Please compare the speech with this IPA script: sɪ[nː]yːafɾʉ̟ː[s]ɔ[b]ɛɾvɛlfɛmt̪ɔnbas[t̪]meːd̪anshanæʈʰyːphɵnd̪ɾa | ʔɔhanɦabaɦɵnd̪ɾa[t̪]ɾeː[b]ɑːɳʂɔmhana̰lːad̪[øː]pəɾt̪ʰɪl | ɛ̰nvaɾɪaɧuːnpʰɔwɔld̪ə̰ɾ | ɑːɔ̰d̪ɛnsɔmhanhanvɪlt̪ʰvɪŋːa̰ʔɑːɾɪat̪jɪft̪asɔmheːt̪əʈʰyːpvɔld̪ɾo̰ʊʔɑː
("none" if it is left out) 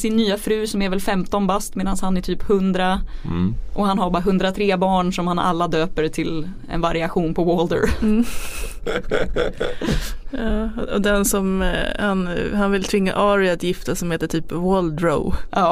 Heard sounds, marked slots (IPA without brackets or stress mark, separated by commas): nː, s, m, t̪, t̪ʰ, b, øː